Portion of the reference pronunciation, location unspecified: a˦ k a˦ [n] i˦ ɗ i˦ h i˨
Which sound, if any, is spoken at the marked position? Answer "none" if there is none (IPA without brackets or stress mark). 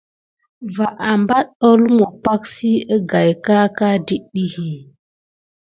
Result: d